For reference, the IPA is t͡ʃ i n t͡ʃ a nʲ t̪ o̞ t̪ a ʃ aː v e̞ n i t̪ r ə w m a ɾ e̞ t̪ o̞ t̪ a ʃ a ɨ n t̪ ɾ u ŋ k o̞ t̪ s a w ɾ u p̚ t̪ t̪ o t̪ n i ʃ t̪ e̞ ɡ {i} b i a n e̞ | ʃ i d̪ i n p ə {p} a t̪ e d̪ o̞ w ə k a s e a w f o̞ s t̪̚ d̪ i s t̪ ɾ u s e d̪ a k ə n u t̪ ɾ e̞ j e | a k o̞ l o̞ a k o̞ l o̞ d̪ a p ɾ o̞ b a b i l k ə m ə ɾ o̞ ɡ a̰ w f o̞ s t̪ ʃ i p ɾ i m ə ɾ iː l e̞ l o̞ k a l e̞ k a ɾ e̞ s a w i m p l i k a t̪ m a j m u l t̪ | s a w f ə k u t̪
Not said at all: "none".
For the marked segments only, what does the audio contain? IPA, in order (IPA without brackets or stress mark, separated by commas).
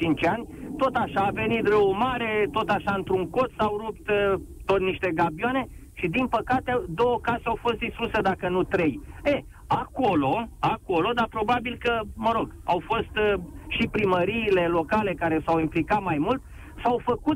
a, k